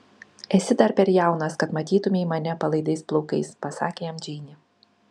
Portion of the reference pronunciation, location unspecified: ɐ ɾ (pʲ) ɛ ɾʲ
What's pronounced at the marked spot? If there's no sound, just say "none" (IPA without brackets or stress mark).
pʲ